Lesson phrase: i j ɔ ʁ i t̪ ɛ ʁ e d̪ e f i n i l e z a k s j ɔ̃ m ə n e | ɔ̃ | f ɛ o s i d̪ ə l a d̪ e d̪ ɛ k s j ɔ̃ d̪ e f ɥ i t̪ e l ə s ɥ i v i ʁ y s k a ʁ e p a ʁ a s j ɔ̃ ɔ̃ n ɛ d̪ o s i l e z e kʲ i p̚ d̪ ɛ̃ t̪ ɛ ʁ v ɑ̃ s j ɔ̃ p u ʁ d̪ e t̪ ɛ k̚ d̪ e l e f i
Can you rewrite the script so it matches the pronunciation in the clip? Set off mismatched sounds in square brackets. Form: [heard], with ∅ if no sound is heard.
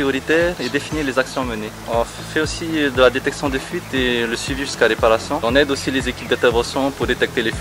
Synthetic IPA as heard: i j ɔ ʁ i t̪ ɛ ʁ e d̪ e f i n i l e z a k s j ɔ̃ m ə n e | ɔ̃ | f ɛ o s i d̪ ə l a d̪ e [t̪] ɛ k s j ɔ̃ d̪ e f ɥ i t̪ e l ə s ɥ i v i [ʒ] y s k a ʁ e p a ʁ a s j ɔ̃ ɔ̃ n ɛ d̪ o s i l e z e kʲ i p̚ d̪ ɛ̃ t̪ ɛ ʁ v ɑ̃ s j ɔ̃ p u ʁ d̪ e t̪ ɛ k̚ [t̪] e l e f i

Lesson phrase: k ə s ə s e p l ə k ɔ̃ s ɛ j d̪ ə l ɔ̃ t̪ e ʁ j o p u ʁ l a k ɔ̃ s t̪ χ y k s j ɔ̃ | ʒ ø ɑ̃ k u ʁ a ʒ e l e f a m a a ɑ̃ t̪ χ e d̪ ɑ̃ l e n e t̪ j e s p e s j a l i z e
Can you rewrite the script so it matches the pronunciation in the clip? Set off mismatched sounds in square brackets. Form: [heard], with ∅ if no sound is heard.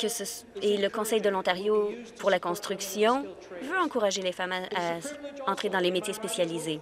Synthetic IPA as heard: k ə s ə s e [∅] l ə k ɔ̃ s ɛ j d̪ ə l ɔ̃ t̪ [a] ʁ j o p u ʁ l a k ɔ̃ s t̪ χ y k s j ɔ̃ | [v] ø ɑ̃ k u ʁ a ʒ e l e f a m a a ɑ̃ t̪ χ e d̪ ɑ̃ l e [m] e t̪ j e s p e s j a l i z e

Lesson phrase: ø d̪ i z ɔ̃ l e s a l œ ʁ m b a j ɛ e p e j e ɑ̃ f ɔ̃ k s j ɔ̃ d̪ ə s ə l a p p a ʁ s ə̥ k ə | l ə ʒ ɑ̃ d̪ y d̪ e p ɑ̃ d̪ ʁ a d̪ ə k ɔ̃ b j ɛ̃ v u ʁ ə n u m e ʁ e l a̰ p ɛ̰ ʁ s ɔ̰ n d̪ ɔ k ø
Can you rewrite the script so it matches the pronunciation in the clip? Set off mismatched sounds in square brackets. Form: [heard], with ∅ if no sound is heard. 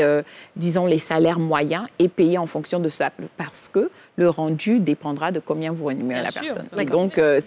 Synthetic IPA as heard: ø d̪ i z ɔ̃ l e s a l [ɛ] ʁ m [w] a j [ɛ̃] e p e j e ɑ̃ f ɔ̃ k s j ɔ̃ d̪ ə s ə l a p p a ʁ s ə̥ k ə | l ə [ʁ] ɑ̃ d̪ y d̪ e p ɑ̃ d̪ ʁ a d̪ ə k ɔ̃ b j ɛ̃ v u ʁ ə n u m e ʁ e l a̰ p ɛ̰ ʁ s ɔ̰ n d̪ [ɔ̃] k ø

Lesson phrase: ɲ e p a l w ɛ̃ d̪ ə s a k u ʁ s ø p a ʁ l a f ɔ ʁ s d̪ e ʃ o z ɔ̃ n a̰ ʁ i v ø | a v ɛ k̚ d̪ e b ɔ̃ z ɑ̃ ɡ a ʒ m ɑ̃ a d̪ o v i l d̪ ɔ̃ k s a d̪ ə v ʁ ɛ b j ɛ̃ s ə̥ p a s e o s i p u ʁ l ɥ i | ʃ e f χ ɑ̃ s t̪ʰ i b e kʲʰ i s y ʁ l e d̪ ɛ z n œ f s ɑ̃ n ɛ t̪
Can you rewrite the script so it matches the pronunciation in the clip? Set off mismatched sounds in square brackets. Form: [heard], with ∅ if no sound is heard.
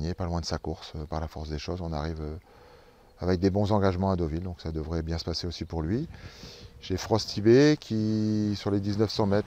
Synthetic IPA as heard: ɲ e p a l w ɛ̃ d̪ ə s a k u ʁ s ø p a ʁ l a f ɔ ʁ s d̪ e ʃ o z ɔ̃ n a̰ ʁ i v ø | a v ɛ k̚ d̪ e b ɔ̃ z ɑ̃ ɡ a ʒ m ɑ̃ a d̪ o v i l d̪ ɔ̃ k s a d̪ ə v ʁ ɛ b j ɛ̃ s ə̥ p a s e o s i p u ʁ l ɥ i | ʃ e f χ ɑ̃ s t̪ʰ i b e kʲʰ i s y ʁ l e d̪ [i] z n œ f s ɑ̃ [m] ɛ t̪

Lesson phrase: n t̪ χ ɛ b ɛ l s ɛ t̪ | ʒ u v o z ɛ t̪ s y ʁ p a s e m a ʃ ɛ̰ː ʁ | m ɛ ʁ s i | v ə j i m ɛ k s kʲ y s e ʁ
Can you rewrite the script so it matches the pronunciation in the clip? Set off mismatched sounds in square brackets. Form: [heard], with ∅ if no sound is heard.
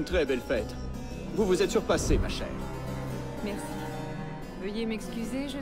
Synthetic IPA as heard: n t̪ χ ɛ b ɛ l [f] ɛ t̪ | [v] u v [u] z ɛ t̪ s y ʁ p a s e m a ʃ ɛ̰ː ʁ | m ɛ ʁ s i | v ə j [e] m ɛ k s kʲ y [z] e [ʒ]

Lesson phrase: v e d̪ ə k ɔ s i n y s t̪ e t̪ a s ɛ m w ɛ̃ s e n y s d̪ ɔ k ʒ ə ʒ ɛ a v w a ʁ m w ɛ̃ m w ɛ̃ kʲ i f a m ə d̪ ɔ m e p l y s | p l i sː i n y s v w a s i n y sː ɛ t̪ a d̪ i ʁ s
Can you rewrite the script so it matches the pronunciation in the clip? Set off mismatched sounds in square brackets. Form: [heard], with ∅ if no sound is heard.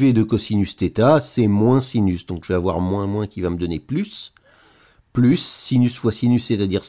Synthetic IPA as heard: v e d̪ ə k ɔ s i n y s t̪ e t̪ a s ɛ m w ɛ̃ s [i] n y s d̪ [ɔ̃] k ʒ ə [v] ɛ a v w a ʁ m w ɛ̃ m w ɛ̃ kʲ i [v] a m ə d̪ ɔ [n] e p l y s | p l [y] sː i n y s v w a s i n y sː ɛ t̪ a d̪ i ʁ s

